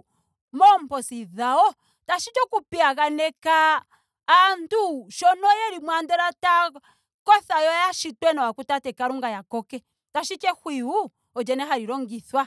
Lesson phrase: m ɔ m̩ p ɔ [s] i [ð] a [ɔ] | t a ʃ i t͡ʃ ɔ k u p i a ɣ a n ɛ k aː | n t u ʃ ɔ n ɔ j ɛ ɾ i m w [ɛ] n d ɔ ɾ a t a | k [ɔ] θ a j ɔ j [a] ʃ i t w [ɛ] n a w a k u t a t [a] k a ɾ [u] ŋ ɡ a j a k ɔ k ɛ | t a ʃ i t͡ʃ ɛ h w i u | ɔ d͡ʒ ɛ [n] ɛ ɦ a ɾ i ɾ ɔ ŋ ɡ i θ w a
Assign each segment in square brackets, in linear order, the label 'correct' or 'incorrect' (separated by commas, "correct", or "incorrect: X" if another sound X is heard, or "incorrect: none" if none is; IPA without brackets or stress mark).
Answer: correct, correct, correct, incorrect: a, correct, correct, correct, incorrect: ɛ, correct, correct